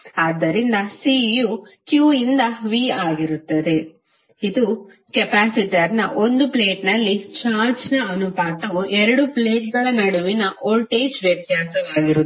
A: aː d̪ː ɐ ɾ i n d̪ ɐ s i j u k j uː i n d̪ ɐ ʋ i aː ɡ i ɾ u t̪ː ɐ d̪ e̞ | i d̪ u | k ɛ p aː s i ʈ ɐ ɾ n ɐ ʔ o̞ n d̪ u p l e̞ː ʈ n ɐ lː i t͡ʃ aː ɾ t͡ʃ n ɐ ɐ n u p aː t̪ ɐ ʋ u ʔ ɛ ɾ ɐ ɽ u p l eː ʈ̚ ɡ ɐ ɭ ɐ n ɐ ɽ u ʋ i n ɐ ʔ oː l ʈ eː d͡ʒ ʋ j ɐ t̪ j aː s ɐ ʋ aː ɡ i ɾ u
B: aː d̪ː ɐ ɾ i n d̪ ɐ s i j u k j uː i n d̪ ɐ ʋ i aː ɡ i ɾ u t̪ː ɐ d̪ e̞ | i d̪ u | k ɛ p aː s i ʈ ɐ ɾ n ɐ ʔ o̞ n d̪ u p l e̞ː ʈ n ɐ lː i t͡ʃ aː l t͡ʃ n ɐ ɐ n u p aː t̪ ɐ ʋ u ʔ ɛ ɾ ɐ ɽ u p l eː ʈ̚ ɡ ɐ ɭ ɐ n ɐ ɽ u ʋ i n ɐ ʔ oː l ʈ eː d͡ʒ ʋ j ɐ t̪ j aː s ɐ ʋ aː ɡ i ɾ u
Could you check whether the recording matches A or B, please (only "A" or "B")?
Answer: A